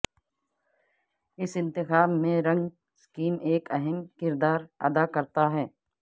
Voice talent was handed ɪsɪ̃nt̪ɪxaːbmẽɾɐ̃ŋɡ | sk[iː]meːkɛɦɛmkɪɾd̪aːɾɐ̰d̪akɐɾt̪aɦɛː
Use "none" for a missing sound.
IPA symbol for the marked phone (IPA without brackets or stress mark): iː